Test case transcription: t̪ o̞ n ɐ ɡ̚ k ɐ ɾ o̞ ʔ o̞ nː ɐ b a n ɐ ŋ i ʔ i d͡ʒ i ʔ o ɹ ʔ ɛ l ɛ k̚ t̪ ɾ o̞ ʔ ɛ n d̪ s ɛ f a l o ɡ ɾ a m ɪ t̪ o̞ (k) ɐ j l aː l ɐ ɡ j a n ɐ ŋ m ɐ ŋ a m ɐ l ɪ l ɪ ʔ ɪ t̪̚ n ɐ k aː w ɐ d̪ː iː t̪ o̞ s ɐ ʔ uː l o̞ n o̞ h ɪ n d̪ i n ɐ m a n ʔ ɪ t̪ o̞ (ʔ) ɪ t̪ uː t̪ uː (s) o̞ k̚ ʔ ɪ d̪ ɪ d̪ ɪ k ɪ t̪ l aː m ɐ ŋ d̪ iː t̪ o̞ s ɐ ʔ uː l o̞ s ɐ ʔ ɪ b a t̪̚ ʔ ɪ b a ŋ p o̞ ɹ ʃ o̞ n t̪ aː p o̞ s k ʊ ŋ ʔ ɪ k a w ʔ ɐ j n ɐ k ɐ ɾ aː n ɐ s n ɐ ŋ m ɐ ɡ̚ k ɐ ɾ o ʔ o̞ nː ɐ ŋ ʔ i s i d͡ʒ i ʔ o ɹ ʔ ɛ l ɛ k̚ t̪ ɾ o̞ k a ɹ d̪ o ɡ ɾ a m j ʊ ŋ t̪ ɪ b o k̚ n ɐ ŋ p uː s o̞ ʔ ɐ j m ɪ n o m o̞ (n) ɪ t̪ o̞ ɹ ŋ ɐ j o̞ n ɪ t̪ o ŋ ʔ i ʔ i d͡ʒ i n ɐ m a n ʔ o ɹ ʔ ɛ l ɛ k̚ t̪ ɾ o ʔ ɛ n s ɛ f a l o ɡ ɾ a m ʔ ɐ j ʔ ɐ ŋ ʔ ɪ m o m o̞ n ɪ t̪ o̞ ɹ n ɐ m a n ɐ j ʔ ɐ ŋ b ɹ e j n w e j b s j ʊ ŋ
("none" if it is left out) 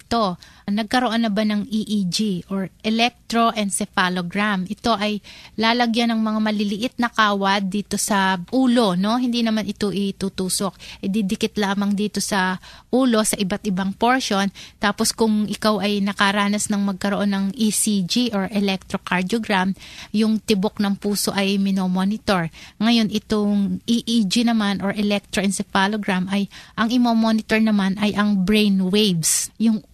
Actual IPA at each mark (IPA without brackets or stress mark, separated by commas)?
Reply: ʔ, ʔ, s, n